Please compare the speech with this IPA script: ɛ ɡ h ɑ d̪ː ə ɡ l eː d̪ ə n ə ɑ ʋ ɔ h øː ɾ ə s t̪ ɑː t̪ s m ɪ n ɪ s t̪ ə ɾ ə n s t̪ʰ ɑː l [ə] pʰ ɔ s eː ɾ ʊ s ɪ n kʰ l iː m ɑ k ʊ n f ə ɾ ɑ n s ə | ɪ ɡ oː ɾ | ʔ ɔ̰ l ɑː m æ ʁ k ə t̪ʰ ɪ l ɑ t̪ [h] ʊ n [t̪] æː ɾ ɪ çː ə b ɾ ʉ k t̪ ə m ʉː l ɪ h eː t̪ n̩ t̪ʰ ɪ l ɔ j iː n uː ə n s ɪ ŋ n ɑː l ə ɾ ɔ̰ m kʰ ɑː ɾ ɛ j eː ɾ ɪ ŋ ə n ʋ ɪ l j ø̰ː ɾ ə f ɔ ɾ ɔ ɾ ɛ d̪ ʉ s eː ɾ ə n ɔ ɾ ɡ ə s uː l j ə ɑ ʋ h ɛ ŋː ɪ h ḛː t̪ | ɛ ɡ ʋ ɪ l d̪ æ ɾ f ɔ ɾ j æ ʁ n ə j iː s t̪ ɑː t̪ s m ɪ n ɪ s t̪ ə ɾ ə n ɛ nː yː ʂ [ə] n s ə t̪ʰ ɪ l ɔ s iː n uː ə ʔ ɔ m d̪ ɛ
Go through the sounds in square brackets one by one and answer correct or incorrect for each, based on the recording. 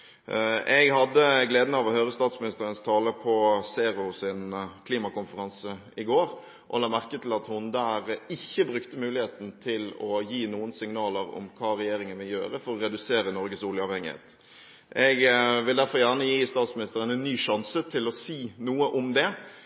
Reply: correct, correct, incorrect: d̪, incorrect: ɑ

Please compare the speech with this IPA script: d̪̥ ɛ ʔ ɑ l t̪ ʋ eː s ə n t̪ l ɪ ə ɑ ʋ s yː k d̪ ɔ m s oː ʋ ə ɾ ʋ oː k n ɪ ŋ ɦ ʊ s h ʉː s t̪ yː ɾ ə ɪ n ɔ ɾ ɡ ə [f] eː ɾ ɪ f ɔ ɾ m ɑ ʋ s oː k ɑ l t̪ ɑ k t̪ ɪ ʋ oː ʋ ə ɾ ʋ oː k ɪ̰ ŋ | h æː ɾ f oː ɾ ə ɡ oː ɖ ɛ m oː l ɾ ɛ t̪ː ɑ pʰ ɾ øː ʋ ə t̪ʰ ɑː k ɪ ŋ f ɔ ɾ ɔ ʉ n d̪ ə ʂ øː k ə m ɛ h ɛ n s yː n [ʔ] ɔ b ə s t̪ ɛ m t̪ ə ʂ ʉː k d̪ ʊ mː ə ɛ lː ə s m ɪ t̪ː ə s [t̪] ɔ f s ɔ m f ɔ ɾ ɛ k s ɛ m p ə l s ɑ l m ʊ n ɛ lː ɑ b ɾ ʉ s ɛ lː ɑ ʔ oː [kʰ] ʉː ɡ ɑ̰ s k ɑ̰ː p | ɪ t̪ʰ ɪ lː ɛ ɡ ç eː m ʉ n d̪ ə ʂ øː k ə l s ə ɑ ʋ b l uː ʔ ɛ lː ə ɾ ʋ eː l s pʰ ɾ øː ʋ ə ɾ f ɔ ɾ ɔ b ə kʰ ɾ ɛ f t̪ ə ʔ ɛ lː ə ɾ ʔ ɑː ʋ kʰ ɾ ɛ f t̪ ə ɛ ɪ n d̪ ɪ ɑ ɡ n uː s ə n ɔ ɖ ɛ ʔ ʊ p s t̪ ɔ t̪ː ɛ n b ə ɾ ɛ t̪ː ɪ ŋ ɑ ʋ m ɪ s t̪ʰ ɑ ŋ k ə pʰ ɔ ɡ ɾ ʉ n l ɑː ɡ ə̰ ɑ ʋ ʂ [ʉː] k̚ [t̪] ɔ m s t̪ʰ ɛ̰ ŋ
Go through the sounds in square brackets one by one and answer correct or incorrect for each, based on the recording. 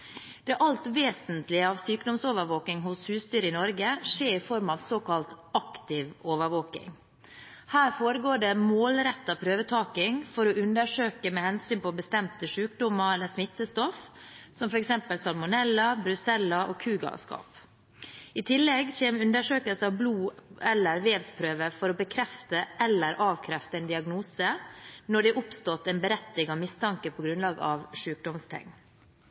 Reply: incorrect: ʂ, incorrect: p, correct, correct, correct, incorrect: d̪

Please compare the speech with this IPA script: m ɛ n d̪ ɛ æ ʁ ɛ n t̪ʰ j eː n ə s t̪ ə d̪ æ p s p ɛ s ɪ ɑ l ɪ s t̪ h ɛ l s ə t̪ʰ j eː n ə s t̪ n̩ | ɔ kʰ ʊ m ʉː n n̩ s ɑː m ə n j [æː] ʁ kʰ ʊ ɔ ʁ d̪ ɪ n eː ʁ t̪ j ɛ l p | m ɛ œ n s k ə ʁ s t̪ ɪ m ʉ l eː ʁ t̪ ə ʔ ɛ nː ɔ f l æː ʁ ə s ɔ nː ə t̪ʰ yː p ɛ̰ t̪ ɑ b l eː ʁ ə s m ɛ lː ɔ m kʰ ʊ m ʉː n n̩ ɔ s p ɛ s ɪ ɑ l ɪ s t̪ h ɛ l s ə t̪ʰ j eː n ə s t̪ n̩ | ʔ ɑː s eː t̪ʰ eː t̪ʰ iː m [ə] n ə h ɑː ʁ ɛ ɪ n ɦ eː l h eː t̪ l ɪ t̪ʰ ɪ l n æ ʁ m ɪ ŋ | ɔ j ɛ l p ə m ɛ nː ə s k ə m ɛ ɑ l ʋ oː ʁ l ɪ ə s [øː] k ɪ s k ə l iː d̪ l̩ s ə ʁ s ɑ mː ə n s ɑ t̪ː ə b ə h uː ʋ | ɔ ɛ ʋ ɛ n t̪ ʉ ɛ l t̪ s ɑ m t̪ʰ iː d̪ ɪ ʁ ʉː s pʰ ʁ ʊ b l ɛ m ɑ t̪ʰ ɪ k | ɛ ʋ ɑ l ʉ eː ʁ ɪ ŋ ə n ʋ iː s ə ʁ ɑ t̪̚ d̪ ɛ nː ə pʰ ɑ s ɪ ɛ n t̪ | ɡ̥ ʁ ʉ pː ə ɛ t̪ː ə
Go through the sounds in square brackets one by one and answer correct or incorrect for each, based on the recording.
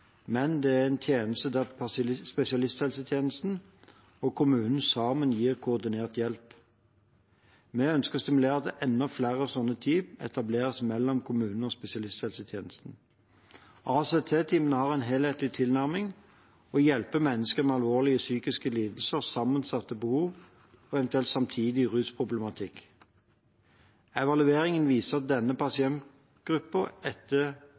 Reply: incorrect: iː, correct, incorrect: yː

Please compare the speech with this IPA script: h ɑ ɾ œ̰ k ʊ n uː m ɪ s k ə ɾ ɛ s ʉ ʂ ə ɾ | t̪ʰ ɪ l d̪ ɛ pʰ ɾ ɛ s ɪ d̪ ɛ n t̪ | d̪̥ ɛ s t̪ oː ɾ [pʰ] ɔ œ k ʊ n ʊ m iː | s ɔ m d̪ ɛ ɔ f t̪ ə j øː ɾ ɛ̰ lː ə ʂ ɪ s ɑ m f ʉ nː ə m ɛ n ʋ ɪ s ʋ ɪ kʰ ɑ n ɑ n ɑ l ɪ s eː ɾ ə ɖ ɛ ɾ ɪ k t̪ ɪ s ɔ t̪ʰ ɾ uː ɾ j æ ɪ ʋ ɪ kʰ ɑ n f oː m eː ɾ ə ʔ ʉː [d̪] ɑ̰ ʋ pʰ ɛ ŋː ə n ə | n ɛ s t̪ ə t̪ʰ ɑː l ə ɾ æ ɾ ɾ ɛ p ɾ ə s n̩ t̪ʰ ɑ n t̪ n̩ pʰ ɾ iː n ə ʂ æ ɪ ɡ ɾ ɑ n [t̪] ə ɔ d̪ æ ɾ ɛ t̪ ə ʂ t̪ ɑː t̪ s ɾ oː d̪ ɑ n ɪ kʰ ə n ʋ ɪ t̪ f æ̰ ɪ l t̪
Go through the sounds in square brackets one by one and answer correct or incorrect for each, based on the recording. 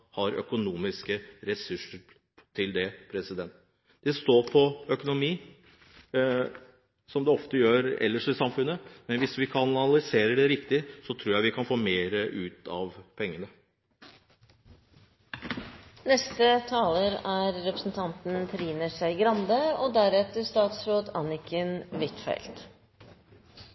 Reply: correct, incorrect: t̪, incorrect: d̪

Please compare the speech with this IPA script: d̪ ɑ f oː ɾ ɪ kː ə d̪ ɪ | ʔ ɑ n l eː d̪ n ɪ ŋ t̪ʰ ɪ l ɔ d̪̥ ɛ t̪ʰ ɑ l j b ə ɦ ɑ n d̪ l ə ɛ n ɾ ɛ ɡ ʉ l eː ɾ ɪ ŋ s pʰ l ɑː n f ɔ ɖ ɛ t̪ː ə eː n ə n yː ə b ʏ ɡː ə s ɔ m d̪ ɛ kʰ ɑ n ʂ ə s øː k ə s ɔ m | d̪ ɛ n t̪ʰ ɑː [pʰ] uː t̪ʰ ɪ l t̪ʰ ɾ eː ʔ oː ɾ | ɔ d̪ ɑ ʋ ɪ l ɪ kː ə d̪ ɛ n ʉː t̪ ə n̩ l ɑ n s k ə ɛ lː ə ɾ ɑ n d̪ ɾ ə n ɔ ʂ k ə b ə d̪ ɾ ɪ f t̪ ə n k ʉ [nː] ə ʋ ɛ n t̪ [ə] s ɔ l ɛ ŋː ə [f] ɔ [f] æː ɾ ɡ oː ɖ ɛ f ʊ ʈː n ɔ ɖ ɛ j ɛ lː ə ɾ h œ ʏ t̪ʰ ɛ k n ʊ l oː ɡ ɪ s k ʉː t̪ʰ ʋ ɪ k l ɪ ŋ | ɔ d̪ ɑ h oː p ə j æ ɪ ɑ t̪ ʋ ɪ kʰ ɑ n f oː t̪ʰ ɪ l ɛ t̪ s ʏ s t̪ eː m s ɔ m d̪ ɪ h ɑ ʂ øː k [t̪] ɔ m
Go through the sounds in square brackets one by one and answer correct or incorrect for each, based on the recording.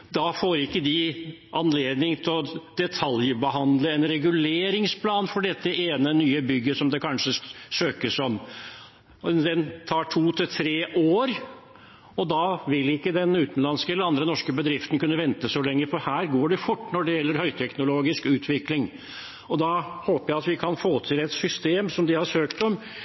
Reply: incorrect: ʈʰ, correct, correct, correct, incorrect: h, correct

